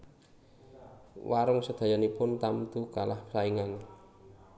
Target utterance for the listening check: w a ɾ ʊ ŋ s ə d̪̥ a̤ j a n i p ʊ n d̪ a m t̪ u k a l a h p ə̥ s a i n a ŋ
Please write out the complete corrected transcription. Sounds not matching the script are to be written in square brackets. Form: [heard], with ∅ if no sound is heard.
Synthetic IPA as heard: w a ɾ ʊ ŋ s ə d̪̥ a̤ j a n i p ʊ n [t̪] a m t̪ u k a l a h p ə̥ s a i [ŋ] a [n]